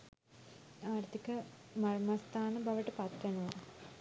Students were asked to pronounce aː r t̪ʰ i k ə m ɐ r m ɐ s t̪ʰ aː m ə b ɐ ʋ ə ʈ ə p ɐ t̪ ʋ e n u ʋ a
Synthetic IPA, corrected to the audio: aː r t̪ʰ i k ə m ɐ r m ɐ s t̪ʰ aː n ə b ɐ ʋ ə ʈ ə p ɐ t̪ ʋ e n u ʋ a